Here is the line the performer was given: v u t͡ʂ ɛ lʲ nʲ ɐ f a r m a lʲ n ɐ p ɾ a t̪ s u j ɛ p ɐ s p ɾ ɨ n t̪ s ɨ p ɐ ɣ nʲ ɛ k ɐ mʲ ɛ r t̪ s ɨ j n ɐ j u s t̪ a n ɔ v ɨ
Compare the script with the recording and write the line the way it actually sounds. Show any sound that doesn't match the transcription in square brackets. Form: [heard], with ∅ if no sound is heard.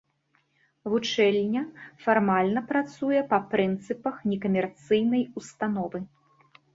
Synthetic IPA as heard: v u t͡ʂ ɛ lʲ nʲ ɐ f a r m a lʲ n ɐ p ɾ a t̪ s u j ɛ p ɐ [∅] p ɾ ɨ n t̪ s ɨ p ɐ [x] nʲ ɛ k ɐ mʲ ɛ r t̪ s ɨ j n ɐ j u s t̪ a n ɔ v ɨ